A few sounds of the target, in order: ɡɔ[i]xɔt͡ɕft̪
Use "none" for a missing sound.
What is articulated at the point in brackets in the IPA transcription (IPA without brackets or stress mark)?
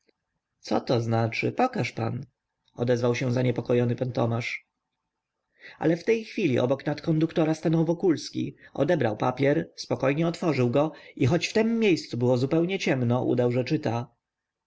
i